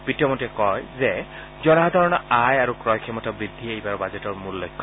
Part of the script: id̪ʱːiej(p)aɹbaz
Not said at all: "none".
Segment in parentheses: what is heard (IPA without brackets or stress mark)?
b